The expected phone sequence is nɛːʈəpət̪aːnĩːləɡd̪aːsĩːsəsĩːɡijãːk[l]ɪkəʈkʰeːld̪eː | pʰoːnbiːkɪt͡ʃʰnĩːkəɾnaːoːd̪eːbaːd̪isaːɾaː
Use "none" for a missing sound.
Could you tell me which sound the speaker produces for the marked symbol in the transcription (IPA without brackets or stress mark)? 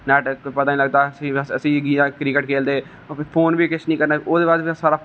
ɾ